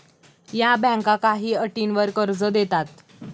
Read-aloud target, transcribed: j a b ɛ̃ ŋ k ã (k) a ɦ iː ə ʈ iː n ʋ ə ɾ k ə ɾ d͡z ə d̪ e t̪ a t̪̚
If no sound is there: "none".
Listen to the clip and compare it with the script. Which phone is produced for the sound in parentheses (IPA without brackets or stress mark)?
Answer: k